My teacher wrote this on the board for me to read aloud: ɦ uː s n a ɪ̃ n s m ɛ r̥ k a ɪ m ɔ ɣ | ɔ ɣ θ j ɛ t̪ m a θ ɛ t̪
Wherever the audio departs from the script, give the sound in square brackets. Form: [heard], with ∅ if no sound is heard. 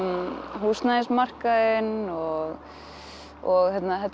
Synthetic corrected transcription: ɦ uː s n a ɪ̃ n s m [a] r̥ k a ɪ [n] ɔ ɣ | ɔ ɣ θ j ɛ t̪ [n] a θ ɛ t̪